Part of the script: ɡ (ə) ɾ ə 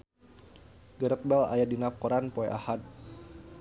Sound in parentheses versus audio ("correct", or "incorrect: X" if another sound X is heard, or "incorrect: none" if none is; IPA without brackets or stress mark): correct